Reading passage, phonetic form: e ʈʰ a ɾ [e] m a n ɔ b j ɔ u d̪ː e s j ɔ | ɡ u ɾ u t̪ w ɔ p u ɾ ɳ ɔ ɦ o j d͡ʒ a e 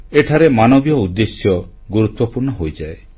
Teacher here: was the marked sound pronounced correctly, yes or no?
yes